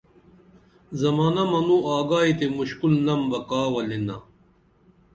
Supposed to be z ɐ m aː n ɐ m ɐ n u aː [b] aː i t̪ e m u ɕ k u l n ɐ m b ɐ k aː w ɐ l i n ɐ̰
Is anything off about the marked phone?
yes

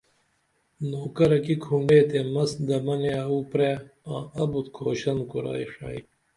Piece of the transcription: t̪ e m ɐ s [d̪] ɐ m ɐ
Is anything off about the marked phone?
no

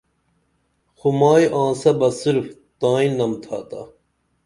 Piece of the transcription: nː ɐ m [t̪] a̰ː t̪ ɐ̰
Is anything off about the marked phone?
yes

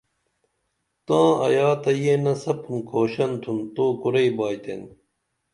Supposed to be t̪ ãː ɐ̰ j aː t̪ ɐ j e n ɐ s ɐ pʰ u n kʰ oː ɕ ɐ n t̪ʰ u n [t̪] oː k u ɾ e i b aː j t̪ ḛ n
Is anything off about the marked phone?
no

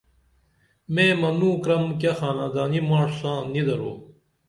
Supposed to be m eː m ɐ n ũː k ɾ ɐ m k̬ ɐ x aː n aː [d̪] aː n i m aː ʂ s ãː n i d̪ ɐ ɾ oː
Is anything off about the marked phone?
no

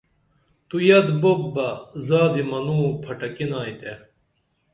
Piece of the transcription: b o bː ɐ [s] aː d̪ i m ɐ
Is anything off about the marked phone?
yes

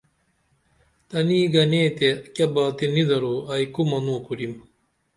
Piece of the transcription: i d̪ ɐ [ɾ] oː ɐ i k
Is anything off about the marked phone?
no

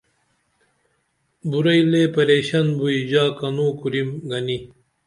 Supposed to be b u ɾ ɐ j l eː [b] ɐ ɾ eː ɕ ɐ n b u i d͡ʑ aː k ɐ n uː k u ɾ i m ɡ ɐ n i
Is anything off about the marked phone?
yes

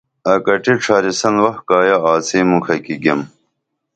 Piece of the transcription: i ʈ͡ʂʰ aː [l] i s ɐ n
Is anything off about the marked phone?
yes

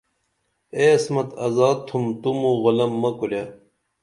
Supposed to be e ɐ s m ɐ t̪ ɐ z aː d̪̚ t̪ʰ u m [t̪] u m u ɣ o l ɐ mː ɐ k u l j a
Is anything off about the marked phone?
no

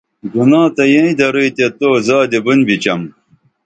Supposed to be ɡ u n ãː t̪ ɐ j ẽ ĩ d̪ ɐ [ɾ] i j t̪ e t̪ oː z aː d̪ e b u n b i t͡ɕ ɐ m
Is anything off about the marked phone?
no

